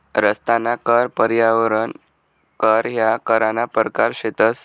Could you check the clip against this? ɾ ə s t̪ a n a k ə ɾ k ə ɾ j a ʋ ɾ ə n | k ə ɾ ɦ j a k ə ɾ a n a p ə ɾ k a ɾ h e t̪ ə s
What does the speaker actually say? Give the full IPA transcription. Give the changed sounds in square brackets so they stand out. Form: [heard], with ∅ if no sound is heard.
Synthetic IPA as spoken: ɾ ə s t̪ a n a k ə ɾ [p] ə ɾ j a ʋ ɾ ə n | k ə ɾ ɦ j a k ə ɾ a n a p ə ɾ k a ɾ [ɕ] e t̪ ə s